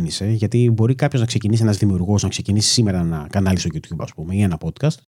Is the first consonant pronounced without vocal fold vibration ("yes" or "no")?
no